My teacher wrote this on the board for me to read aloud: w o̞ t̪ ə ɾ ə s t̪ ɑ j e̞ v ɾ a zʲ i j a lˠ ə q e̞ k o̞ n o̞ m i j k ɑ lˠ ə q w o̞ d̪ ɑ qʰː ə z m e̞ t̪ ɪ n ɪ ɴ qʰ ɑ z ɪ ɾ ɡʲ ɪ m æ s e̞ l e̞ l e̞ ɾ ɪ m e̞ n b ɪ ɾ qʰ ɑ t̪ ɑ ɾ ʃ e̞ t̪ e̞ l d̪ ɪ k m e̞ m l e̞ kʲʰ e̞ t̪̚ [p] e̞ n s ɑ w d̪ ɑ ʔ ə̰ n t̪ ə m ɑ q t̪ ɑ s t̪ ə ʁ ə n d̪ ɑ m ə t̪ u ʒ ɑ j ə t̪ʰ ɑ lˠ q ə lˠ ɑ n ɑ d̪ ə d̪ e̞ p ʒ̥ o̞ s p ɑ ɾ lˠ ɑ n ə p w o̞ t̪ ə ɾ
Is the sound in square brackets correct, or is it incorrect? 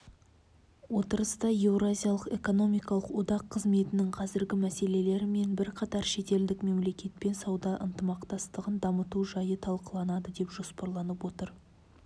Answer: correct